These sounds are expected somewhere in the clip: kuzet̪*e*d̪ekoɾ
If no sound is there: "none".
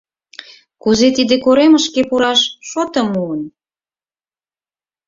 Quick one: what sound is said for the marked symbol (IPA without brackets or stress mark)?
i